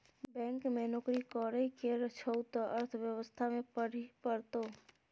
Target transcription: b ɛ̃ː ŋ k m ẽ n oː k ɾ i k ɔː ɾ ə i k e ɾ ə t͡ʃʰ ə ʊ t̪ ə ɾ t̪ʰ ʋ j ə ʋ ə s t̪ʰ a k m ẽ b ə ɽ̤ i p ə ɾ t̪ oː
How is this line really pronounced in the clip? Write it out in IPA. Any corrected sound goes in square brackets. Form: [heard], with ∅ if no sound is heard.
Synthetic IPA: b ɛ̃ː ŋ k m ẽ n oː k ɾ i k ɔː ɾ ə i k e ɾ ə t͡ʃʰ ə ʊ t̪ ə ɾ t̪ʰ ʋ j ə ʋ ə s t̪ʰ a [∅] m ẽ [p] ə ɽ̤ i p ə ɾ t̪ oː